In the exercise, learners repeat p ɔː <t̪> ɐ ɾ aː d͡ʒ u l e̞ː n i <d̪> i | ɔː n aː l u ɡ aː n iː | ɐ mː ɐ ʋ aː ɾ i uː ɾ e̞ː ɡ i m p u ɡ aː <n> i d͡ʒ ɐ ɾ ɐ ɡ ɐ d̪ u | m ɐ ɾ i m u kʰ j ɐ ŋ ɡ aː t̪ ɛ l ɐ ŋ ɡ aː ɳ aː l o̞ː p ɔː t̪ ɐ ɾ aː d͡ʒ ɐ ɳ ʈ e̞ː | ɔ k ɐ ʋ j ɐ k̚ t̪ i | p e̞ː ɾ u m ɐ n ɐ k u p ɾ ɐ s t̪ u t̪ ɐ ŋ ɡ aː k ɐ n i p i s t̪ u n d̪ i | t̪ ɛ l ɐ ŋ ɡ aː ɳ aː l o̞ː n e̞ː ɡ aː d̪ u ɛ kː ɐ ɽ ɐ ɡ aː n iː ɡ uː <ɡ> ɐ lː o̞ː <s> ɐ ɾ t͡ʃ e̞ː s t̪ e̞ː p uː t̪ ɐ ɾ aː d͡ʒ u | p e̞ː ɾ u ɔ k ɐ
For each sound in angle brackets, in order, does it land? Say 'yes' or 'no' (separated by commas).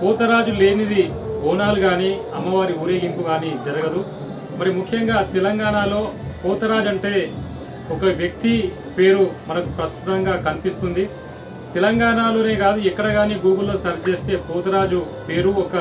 yes, yes, yes, yes, yes